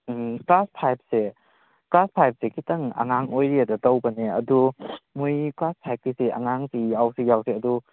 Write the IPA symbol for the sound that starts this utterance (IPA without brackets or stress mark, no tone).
k